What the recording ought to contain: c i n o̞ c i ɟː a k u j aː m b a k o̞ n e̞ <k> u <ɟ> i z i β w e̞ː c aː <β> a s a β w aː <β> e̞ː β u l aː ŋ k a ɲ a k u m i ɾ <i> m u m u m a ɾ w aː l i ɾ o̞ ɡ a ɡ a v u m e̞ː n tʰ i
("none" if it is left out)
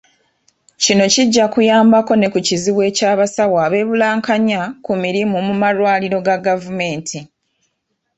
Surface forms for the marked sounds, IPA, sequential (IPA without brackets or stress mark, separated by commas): k, c, β, β, i